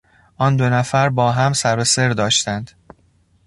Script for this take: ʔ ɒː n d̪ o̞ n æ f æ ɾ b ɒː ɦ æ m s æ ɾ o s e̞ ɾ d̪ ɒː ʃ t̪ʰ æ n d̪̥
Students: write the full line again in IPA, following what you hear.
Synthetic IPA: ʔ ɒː n d̪ o̞ n æ f æ ɾ b ɒː ɦ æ m s æ ɾ o s e̞ ɾ d̪ ɒː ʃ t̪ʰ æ n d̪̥